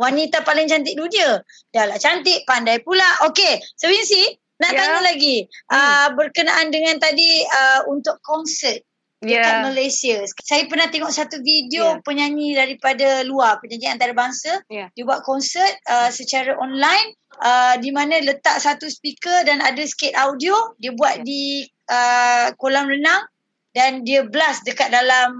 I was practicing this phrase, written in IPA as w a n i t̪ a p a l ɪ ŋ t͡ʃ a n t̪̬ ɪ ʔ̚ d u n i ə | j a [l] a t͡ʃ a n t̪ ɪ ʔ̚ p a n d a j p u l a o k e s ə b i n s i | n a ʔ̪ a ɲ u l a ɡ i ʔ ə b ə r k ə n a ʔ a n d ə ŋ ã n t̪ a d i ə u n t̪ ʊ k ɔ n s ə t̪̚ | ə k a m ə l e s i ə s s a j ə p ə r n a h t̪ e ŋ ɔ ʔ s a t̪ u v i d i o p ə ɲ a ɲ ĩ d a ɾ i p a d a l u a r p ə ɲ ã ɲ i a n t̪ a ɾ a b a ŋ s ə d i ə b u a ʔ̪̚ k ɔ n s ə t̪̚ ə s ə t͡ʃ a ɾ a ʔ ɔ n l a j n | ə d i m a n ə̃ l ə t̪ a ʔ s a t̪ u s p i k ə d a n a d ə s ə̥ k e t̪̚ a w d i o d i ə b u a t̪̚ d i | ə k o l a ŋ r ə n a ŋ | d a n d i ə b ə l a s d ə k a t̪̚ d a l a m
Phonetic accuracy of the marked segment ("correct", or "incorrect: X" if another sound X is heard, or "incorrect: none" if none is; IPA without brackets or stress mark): correct